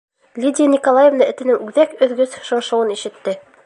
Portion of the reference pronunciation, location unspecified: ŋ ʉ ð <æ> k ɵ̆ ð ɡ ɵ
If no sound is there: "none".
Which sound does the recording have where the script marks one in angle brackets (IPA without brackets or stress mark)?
æ